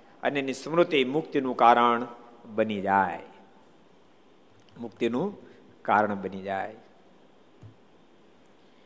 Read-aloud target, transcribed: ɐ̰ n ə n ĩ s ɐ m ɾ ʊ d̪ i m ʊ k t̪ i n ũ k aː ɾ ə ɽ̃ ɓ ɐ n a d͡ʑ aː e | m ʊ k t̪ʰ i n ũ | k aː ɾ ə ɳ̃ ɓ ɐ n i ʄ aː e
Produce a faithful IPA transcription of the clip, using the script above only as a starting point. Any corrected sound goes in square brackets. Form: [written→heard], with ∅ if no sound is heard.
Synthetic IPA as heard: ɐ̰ n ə n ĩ s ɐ m ɾ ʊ [d̪→t̪] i m ʊ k t̪ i n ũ k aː ɾ ə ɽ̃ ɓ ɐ n [a→i] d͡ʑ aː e | m ʊ k [t̪ʰ→t̪] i n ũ | k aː ɾ ə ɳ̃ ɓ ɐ n i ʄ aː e